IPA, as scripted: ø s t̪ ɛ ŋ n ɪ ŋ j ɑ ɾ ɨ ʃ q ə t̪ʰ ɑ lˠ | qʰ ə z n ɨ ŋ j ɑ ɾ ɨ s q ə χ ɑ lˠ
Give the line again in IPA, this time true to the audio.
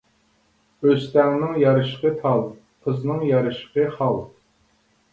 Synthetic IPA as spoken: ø s t̪ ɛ ŋ n ɪ ŋ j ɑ ɾ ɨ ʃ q ə t̪ʰ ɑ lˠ | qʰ ə z n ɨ ŋ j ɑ ɾ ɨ ʃ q ə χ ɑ lˠ